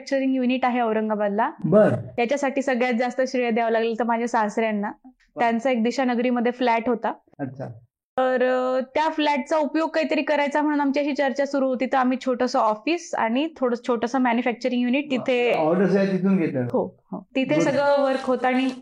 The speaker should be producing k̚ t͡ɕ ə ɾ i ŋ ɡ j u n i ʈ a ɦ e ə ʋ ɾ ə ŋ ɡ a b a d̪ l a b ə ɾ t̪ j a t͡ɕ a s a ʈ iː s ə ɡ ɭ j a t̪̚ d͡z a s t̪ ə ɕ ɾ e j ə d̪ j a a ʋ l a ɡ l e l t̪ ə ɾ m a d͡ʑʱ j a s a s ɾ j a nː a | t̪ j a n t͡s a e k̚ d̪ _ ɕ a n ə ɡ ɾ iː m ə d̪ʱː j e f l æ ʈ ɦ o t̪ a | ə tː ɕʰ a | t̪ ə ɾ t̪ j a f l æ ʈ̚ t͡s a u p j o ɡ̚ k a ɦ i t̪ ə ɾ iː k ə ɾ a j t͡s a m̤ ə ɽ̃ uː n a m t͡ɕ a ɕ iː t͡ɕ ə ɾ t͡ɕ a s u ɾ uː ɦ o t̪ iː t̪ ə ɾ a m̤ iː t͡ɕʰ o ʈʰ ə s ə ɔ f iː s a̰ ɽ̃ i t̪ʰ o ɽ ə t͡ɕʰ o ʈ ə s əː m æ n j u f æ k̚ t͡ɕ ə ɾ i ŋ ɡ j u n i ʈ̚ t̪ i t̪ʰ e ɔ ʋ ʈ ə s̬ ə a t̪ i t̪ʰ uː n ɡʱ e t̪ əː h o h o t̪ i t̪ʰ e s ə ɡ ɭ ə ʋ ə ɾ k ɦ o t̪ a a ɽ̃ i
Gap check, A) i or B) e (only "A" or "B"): A